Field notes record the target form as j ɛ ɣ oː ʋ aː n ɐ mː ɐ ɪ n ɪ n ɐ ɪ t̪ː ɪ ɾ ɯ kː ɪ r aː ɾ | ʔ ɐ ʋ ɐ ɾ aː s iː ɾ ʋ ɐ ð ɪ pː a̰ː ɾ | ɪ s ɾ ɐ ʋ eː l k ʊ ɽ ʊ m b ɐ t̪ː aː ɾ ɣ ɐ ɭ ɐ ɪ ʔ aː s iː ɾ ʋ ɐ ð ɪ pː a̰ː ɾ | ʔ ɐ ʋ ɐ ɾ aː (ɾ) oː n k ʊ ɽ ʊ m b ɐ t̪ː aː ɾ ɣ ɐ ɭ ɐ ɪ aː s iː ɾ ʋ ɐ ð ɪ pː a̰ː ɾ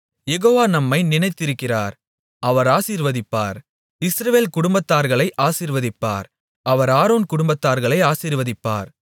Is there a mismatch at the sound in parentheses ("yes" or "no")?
no